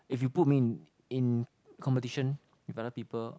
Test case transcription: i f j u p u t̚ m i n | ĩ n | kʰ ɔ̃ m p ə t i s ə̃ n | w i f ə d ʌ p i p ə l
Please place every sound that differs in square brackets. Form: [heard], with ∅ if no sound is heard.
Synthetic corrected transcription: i f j u p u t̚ m i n | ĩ n | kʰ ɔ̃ m p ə t i [ʃ] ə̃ n | w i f [a] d [ə] p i p ə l